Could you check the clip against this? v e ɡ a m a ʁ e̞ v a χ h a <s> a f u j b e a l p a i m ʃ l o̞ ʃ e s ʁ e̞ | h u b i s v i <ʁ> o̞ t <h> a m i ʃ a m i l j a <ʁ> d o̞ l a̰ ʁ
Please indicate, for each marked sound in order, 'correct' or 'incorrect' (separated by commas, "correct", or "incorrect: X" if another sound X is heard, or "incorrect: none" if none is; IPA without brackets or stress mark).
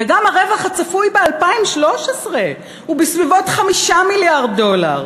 incorrect: t͡s, incorrect: v, incorrect: χ, correct